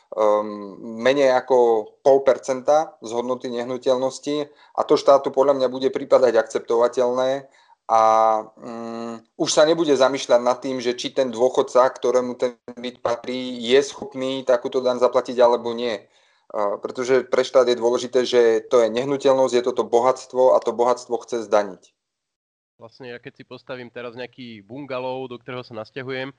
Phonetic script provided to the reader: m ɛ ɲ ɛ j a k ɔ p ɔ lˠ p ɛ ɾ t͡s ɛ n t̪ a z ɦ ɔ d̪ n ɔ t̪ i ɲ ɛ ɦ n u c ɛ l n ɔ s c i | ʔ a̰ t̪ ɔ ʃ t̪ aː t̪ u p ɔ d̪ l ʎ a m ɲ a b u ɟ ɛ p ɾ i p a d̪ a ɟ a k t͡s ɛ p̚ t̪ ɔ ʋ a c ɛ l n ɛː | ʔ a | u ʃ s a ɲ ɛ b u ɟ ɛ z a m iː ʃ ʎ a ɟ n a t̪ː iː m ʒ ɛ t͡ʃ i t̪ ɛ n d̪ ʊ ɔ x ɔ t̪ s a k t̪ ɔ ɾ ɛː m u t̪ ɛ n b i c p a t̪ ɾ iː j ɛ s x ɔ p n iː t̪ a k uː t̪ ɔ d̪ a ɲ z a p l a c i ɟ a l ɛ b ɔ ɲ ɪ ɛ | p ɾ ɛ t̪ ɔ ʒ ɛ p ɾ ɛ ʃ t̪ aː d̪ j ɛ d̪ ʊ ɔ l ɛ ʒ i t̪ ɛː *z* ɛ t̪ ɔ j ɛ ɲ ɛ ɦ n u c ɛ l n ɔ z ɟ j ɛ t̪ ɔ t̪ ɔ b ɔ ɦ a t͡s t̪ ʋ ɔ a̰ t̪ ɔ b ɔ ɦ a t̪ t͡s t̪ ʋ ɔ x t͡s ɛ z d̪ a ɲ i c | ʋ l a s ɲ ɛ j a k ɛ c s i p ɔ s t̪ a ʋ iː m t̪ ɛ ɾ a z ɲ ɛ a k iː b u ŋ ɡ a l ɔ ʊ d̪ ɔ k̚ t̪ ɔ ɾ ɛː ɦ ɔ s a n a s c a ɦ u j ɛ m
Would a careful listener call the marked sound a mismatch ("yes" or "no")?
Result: yes